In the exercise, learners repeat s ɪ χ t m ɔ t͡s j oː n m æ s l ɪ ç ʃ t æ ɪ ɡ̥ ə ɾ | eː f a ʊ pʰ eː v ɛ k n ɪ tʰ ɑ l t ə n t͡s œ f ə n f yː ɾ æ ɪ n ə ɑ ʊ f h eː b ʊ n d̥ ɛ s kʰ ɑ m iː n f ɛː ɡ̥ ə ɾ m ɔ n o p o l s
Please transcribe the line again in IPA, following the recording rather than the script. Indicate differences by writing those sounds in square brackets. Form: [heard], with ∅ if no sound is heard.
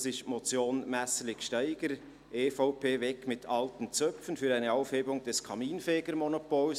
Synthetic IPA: s ɪ [ʃ] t m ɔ t͡s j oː n m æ s l ɪ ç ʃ t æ ɪ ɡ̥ ə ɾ | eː f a ʊ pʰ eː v ɛ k [m] ɪ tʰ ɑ l t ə n t͡s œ f ə n f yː ɾ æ ɪ n ə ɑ ʊ f h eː b ʊ [ŋ] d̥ ɛ s kʰ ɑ m iː n f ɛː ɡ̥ ə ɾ m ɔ n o p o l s